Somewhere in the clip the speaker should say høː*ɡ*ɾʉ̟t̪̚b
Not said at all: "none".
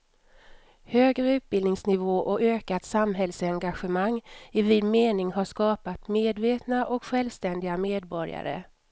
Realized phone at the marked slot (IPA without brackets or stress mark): ɡ